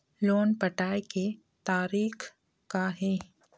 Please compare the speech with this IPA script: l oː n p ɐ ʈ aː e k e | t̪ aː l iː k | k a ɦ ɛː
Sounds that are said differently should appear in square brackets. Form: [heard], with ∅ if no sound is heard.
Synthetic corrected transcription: l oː n p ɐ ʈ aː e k e | t̪ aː [ɾ] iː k | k a ɦ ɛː